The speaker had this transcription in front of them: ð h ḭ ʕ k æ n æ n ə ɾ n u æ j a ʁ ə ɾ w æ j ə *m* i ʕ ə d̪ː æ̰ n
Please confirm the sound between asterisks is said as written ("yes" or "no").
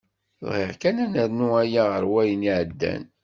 no